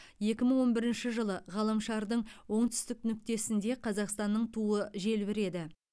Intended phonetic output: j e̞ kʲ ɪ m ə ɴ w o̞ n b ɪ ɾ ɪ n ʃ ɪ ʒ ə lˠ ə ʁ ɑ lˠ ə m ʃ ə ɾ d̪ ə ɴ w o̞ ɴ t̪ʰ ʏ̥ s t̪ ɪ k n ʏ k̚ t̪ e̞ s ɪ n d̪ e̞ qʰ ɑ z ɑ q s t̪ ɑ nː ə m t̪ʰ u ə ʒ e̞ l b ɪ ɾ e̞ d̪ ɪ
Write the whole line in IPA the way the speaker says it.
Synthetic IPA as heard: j e̞ kʲ ɪ m ə ɴ w o̞ n b ɪ ɾ ɪ n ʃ ɪ ʒ ə lˠ ə ʁ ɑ lˠ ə m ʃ ɑ ɾ d̪ ə ɴ w o̞ ɴ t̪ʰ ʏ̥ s t̪ ɪ k n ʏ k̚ t̪ e̞ s ɪ n d̪ e̞ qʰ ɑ z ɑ q s t̪ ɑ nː ə ɴ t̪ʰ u ə ʒ e̞ l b ɪ ɾ e̞ d̪ ɪ